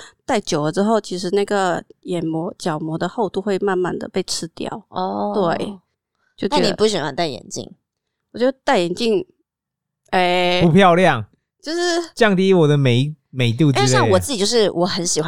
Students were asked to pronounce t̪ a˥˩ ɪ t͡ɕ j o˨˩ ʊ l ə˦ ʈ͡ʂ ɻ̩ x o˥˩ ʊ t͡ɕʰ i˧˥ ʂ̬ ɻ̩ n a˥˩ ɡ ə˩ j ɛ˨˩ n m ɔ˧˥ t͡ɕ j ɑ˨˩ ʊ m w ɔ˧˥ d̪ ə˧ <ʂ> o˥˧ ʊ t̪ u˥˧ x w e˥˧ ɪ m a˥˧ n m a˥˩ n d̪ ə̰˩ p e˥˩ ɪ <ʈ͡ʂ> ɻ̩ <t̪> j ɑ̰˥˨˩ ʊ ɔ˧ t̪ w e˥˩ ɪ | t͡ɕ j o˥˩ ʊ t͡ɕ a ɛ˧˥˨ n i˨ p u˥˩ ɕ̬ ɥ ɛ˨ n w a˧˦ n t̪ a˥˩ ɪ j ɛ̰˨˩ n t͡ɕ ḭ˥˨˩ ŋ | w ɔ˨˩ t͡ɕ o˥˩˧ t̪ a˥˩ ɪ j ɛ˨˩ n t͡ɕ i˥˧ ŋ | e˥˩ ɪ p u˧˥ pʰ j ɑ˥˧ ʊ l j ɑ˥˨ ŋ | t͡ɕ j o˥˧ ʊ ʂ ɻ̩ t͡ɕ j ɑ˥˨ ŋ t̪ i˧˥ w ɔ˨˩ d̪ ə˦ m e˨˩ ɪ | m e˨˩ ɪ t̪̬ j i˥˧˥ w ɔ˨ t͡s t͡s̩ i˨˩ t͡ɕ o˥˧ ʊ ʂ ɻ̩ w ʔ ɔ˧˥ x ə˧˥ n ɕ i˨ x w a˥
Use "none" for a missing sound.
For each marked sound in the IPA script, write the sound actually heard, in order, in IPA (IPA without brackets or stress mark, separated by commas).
x, ʈ͡ʂʰ, t̪